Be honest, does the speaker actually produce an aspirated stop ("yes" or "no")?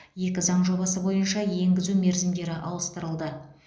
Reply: no